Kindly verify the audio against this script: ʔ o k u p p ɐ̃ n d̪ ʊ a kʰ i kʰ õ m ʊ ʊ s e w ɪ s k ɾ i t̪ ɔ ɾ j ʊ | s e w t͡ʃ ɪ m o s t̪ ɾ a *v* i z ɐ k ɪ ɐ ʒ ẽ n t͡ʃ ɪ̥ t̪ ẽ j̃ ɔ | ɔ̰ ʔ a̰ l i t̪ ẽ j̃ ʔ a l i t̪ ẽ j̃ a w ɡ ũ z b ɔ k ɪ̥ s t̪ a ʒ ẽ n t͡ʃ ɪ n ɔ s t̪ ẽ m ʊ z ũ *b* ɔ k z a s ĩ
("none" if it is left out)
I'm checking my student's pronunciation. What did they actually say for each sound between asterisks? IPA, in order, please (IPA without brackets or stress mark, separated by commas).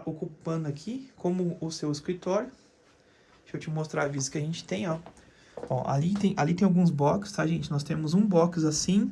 v, b